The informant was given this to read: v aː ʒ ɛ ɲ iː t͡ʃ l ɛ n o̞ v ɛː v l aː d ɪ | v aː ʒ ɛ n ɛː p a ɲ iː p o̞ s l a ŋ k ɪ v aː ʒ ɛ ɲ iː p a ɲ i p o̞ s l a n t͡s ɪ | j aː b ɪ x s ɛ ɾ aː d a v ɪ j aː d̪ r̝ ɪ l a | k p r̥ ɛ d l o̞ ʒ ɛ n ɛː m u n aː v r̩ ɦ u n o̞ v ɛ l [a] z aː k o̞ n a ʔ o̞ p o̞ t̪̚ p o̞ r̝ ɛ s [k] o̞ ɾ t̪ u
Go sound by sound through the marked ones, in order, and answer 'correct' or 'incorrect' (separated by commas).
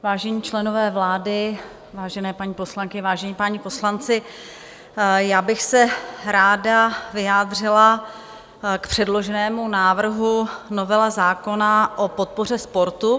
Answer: correct, incorrect